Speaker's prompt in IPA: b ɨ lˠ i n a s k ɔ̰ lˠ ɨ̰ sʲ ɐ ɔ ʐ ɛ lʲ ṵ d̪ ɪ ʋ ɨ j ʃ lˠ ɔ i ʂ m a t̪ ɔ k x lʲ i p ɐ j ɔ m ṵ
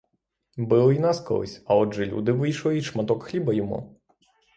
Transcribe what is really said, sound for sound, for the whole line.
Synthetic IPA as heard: b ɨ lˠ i n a s k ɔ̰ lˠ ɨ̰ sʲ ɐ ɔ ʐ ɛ lʲ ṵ d̪ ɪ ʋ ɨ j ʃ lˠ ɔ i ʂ m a t̪ ɔ k x lʲ i b ɐ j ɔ m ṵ